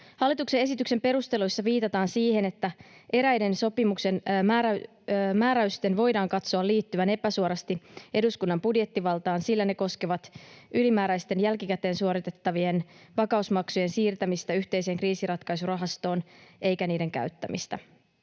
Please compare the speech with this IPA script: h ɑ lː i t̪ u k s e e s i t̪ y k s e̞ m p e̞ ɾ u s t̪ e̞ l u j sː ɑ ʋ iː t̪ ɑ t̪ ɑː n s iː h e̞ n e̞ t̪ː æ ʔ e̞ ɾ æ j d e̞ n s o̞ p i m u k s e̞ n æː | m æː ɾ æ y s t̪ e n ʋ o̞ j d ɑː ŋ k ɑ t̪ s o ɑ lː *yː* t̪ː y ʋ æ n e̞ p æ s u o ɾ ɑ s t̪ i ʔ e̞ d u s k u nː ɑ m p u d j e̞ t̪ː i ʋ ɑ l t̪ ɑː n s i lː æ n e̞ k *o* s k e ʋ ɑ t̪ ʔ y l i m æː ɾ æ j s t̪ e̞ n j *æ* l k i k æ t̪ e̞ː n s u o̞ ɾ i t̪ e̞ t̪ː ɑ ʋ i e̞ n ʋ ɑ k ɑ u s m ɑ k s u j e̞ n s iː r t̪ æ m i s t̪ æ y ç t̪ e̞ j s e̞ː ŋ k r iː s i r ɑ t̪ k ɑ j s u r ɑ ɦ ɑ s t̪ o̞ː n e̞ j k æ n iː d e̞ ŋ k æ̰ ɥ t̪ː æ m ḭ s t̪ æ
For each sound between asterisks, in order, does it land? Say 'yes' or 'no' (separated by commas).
no, yes, yes